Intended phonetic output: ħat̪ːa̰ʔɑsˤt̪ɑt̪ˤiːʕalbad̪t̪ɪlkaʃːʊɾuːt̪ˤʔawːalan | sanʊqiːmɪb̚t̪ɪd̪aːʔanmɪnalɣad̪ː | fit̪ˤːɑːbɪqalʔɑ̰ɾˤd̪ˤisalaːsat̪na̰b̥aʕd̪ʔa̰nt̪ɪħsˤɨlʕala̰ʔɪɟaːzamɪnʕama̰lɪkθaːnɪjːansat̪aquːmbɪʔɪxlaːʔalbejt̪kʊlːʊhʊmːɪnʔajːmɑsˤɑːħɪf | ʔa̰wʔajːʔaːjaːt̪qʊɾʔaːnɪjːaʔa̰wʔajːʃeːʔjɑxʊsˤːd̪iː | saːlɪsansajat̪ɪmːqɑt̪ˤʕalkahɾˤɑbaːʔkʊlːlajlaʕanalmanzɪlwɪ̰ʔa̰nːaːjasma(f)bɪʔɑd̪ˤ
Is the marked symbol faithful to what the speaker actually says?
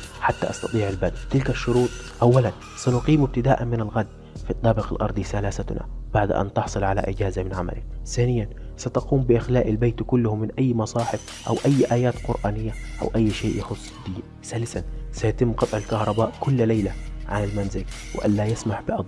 no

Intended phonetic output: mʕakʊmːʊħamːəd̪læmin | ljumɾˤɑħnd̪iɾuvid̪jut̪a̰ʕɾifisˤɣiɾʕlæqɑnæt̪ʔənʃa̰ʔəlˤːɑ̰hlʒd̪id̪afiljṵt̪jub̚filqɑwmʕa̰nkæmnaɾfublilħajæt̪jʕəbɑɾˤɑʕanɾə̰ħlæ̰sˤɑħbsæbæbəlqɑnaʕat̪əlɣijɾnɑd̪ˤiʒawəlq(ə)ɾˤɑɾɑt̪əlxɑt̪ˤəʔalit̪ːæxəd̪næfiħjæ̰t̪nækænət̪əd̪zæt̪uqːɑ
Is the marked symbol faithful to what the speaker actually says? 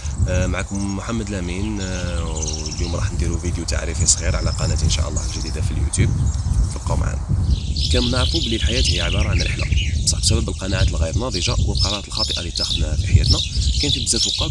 no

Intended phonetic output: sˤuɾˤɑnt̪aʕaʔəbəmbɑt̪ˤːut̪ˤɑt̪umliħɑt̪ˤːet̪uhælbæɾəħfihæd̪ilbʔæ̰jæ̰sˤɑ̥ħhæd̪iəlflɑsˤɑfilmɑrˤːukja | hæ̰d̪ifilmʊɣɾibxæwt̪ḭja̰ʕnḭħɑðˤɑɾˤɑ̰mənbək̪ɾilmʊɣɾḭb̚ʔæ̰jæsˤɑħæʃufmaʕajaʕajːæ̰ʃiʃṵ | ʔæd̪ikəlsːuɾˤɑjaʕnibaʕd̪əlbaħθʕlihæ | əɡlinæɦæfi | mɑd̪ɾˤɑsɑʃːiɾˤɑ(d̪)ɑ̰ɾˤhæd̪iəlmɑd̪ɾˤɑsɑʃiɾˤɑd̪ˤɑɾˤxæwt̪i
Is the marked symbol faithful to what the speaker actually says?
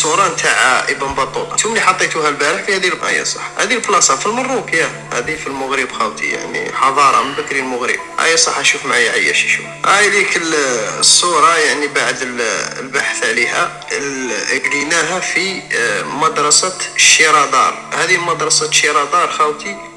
yes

